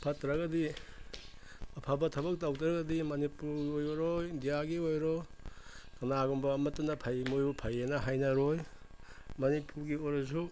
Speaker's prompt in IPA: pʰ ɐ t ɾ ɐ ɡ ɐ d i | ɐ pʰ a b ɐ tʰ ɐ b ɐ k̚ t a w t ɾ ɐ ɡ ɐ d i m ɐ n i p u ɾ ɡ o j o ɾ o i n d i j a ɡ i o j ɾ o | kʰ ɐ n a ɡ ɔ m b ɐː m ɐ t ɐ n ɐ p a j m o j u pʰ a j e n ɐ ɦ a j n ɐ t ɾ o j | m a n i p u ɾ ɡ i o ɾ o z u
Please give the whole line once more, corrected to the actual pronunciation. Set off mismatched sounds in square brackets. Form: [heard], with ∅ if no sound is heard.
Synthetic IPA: pʰ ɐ t ɾ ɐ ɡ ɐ d i | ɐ pʰ a b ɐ tʰ ɐ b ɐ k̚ t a w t ɾ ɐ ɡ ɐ d i m ɐ n i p u ɾ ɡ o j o ɾ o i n d i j a ɡ i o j ɾ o | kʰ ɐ n a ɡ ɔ m b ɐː m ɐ t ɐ n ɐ [pʰ] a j m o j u pʰ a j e n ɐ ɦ a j n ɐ [∅] ɾ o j | m [ɐ] n i p u ɾ ɡ i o ɾ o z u

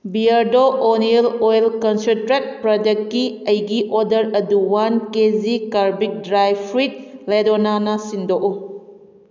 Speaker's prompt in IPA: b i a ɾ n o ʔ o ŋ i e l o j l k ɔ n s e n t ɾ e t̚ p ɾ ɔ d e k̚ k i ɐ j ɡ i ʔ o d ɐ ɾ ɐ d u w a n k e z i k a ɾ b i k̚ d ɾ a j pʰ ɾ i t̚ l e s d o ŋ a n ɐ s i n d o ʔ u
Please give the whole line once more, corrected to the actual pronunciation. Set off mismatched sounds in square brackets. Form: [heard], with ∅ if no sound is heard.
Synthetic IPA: b i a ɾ [d] o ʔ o [n] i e l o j l k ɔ n s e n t ɾ e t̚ p ɾ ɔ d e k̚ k i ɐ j ɡ i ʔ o d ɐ ɾ ɐ d u w a n k e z i k a ɾ b i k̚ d ɾ a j pʰ ɾ i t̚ l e [∅] d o [n] a n ɐ s i n d o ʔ u

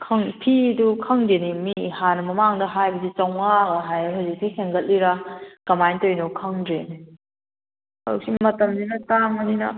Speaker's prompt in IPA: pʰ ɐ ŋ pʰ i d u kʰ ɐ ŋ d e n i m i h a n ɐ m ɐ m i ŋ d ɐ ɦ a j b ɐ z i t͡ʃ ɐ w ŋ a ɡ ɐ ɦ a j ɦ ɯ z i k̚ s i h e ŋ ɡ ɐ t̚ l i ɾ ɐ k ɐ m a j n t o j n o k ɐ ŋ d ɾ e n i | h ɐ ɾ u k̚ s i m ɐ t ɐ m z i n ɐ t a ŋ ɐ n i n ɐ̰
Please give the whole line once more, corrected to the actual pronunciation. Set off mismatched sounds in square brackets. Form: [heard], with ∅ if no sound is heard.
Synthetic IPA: [kʰ] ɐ ŋ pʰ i d u kʰ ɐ ŋ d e n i m i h a n ɐ m ɐ m [a] ŋ d ɐ ɦ a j b ɐ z i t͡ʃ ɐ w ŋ a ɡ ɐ ɦ a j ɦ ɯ z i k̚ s i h e ŋ ɡ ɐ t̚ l i ɾ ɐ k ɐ m a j n t o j n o [kʰ] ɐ ŋ d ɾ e n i | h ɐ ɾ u k̚ s i m ɐ t ɐ m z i n ɐ t a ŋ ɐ n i n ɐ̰

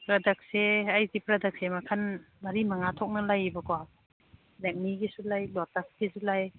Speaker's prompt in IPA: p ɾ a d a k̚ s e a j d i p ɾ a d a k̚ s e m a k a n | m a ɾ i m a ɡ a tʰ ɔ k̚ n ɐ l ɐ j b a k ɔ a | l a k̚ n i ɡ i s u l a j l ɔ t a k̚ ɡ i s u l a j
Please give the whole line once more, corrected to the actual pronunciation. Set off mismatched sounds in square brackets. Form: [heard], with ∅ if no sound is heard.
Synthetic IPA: p ɾ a d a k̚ s e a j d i p ɾ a d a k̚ s e m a [kʰ] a n | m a ɾ i m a [ŋ] a tʰ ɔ k̚ n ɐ l [a] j b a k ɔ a | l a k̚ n i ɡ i s u l a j l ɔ t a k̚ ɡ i s u l a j

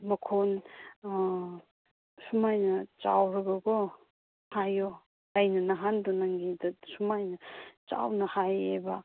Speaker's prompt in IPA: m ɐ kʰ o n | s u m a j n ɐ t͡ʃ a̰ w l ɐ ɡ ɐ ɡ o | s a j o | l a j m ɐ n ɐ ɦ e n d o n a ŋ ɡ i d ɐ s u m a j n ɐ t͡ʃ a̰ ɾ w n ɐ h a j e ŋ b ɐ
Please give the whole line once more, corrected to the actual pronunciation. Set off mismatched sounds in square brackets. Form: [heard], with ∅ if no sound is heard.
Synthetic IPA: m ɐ kʰ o n | s u m a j n ɐ t͡ʃ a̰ w [ɾ] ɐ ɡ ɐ ɡ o | [h] a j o | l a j [n] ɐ n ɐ ɦ [a] n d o n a ŋ ɡ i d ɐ s u m a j n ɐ t͡ʃ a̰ [∅] w n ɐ h a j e [∅] b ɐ

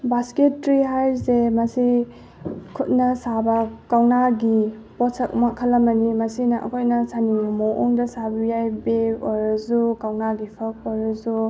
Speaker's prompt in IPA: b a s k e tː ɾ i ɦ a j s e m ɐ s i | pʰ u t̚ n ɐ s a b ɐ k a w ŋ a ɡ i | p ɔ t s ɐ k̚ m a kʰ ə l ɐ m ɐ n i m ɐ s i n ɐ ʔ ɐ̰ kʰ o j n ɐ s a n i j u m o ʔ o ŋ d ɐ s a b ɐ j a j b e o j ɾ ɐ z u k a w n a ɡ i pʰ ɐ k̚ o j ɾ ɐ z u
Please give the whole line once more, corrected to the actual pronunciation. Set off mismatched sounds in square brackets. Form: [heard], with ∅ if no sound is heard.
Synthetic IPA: b a s k e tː ɾ i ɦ a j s e m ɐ s i | [kʰ] u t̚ n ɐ s a b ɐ k a w [n] a ɡ i | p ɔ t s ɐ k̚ m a kʰ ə l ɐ m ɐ n i m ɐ s i n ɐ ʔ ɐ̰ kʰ o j n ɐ s a n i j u m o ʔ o ŋ d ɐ s a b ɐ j a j b e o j ɾ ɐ z u k a w n a ɡ i pʰ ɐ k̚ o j ɾ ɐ z u

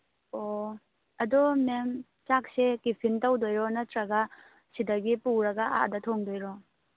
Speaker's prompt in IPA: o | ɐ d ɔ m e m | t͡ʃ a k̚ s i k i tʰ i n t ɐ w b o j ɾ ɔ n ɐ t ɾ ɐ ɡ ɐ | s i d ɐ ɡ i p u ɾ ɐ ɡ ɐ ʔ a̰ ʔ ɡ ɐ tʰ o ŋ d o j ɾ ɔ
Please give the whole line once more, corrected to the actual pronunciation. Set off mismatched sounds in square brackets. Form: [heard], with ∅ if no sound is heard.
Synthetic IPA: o | ɐ d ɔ m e m | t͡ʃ a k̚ s [e] k i [pʰ] i n t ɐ w [d] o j ɾ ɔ n ɐ t ɾ ɐ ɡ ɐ | s i d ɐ ɡ i p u ɾ ɐ ɡ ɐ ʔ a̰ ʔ [d] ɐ tʰ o ŋ d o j ɾ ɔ

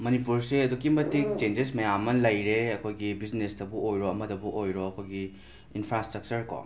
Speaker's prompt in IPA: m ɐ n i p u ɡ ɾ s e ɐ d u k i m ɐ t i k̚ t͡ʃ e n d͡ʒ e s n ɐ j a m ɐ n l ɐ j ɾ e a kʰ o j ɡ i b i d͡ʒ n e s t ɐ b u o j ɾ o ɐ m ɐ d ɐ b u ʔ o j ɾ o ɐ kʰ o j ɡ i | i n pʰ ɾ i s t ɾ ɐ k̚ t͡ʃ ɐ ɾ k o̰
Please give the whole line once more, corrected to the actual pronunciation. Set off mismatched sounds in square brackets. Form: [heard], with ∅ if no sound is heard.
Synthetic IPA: m ɐ n i p u [∅] ɾ s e ɐ d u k i m ɐ t i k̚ t͡ʃ e n d͡ʒ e s [m] ɐ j a m ɐ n l ɐ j ɾ e [ɐ] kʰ o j ɡ i b i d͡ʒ n e s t ɐ b u o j ɾ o ɐ m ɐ d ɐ b u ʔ o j ɾ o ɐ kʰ o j ɡ i | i n pʰ ɾ [a] s t ɾ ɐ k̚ t͡ʃ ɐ ɾ k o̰

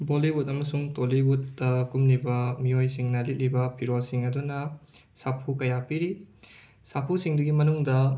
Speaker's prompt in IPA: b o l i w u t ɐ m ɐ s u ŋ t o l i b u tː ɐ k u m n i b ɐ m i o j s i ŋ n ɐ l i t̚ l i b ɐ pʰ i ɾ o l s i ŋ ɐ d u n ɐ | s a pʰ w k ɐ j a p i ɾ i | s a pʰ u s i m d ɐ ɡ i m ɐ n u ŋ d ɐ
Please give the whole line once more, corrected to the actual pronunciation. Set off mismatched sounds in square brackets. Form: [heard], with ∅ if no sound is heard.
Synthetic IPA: b o l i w u t ɐ m ɐ s u ŋ t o l i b u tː ɐ k u m n i b ɐ m i o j s i ŋ n ɐ l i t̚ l i b ɐ pʰ i ɾ o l s i ŋ ɐ d u n ɐ | s a pʰ [u] k ɐ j a p i ɾ i | s a pʰ u s i [ŋ] d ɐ ɡ i m ɐ n u ŋ d ɐ

